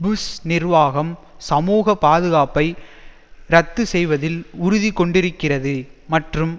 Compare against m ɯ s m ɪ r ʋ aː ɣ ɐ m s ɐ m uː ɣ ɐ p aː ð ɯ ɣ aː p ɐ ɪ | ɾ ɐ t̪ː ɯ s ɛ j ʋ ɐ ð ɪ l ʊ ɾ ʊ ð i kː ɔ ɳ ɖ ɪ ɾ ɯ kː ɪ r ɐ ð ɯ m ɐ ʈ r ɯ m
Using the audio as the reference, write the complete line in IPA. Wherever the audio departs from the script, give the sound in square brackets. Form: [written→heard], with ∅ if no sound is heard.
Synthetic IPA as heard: [m→b] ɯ s [m→n] ɪ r ʋ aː ɣ ɐ m s ɐ m uː ɣ ɐ p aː ð ɯ ɣ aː p ɐ ɪ | ɾ ɐ t̪ː ɯ s ɛ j ʋ ɐ ð ɪ l ʊ ɾ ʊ ð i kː ɔ ɳ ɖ ɪ ɾ ɯ kː ɪ r ɐ ð ɯ m ɐ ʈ r ɯ m